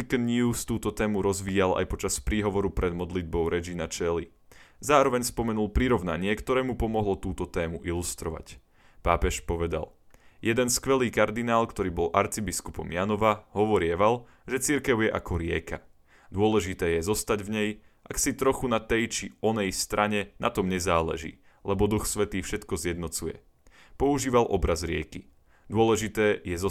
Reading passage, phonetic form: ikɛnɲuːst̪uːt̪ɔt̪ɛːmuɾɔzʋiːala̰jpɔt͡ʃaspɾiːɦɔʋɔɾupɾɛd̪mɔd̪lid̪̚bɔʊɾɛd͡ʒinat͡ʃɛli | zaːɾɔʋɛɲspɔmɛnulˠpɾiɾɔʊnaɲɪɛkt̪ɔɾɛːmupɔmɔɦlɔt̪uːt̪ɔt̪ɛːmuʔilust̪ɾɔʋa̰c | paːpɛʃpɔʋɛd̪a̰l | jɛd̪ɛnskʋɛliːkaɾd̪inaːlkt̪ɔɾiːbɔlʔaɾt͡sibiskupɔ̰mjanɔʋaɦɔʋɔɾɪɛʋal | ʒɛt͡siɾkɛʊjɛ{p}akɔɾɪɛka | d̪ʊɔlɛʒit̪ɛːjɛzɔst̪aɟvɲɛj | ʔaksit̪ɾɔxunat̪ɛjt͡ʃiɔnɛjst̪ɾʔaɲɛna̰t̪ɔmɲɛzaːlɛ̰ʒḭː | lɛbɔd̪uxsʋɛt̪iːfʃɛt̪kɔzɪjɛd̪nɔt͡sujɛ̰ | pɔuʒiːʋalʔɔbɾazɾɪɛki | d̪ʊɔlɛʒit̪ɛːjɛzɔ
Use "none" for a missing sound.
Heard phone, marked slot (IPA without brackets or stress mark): ʔ